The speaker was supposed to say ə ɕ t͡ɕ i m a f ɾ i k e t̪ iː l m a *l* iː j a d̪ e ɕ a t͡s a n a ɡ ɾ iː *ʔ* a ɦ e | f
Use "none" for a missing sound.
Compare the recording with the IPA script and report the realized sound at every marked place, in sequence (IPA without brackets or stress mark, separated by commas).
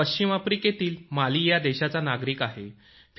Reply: l, k